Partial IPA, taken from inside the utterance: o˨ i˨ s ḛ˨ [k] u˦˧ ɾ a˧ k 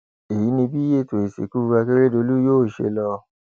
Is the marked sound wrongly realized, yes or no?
no